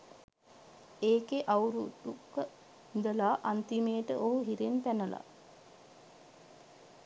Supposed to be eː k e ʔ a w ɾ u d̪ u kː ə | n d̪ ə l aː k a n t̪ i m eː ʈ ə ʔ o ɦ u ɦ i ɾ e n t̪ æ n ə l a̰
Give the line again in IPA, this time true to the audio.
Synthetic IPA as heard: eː k e ʔ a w ɾ u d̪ u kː ə | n d̪ ə l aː ʔ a n t̪ i m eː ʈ ə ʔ o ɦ u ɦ i ɾ e n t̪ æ n ə l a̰